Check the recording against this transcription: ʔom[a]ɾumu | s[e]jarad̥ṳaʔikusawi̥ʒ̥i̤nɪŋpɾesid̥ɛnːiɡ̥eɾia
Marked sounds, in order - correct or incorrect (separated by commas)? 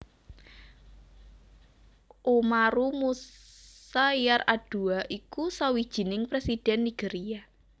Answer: correct, incorrect